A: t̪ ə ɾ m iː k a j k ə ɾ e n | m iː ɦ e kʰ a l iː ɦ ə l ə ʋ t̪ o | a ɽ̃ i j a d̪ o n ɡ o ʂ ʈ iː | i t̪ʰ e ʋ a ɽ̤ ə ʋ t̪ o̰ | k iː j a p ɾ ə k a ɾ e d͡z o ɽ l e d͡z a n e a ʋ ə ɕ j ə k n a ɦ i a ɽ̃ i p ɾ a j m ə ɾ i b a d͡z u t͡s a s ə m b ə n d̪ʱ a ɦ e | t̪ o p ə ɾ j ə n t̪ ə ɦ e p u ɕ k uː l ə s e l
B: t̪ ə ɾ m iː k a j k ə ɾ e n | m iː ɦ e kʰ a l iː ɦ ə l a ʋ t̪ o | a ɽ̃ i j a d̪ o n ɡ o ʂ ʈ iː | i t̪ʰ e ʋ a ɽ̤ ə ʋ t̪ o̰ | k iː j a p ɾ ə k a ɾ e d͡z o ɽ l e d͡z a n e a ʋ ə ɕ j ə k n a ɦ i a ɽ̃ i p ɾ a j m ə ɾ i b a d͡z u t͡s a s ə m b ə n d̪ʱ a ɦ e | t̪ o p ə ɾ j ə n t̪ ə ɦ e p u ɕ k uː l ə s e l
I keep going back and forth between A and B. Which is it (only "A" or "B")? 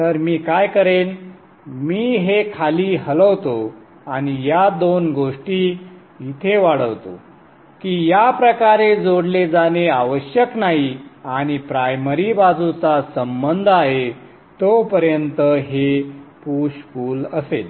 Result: A